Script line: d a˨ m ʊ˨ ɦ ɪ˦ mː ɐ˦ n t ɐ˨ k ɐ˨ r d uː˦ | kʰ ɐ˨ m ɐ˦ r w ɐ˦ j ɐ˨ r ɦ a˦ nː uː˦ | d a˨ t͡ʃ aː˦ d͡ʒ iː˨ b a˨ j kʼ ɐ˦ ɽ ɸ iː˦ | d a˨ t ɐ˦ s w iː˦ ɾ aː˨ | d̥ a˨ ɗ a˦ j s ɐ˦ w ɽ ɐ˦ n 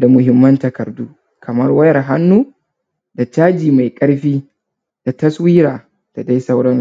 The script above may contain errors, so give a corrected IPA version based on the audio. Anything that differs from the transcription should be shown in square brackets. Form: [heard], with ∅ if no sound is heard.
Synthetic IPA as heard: d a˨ m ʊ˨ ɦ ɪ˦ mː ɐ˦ n t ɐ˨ k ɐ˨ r d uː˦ | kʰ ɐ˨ m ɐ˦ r w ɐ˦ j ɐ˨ r ɦ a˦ nː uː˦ | d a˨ t͡ʃ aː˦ d͡ʒ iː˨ [m] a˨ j kʼ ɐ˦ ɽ ɸ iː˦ | d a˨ t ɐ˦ s w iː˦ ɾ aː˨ | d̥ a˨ [d] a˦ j s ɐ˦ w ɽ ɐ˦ n

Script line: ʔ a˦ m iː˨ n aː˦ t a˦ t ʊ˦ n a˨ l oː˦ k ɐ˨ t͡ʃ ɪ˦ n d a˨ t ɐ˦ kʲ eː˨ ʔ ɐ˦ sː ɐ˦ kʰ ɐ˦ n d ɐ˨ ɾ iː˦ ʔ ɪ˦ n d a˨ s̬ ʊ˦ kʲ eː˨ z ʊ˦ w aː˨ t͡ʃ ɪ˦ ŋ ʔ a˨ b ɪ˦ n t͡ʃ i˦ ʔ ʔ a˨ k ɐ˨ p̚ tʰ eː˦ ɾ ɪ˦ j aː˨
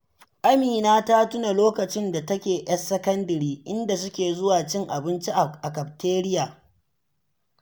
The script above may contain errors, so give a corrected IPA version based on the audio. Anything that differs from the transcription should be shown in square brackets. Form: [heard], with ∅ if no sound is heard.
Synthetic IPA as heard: ʔ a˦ m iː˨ n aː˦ t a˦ t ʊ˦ n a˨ l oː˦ k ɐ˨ t͡ʃ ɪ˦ n d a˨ t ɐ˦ kʲ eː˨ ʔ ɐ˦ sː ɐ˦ [k] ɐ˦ n d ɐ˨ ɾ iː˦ ʔ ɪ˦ n d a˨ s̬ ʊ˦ kʲ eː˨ z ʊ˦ w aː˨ t͡ʃ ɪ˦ ŋ ʔ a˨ b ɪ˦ n t͡ʃ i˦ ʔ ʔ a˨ k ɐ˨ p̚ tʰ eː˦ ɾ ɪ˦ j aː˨

